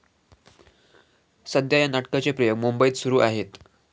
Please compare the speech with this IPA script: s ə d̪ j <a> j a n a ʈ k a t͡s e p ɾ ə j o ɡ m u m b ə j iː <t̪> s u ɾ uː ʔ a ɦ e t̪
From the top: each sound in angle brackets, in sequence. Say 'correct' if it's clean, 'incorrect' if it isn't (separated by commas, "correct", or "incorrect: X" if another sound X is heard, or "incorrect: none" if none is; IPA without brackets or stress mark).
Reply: correct, correct